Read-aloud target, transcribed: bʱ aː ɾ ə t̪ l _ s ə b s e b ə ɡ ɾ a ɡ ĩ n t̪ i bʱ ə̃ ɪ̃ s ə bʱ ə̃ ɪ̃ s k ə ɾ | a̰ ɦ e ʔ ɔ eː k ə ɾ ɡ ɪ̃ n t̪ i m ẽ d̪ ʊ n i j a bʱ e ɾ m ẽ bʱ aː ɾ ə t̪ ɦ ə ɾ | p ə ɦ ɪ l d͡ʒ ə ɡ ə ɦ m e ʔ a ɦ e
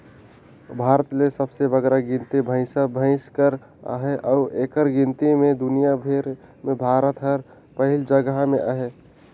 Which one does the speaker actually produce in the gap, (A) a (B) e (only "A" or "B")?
B